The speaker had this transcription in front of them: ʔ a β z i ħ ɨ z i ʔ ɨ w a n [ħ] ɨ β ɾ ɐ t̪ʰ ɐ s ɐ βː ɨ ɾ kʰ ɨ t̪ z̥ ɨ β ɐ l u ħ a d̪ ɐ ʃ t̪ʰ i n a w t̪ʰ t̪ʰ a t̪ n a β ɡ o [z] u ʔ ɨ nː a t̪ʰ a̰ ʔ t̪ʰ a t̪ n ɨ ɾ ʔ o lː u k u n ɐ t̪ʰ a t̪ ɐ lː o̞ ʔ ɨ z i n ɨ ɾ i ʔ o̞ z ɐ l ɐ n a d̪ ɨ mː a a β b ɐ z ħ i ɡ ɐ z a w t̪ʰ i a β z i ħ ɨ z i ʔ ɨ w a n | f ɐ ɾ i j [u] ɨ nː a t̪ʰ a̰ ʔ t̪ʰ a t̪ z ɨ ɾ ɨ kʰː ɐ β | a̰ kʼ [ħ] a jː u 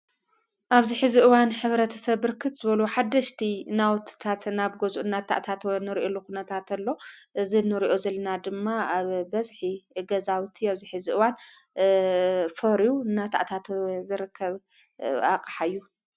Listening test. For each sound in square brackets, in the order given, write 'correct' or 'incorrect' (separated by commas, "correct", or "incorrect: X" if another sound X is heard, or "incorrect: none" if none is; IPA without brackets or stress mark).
correct, correct, correct, correct